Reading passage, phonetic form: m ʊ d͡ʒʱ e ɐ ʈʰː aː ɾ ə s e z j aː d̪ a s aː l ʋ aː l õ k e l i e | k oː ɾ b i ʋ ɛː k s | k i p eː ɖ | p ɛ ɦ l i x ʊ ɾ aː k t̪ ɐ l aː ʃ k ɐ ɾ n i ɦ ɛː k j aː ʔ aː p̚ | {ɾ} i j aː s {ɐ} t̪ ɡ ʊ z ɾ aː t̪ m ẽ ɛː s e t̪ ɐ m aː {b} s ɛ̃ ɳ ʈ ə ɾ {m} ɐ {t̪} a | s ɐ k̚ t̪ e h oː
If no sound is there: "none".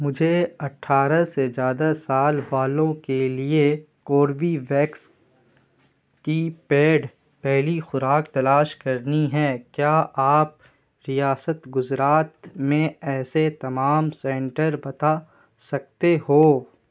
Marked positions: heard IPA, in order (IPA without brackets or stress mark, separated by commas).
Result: ɾ, ə, m, b, t̪